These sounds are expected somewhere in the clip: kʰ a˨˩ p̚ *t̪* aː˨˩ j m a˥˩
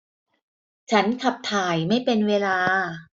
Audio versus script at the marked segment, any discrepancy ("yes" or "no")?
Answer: yes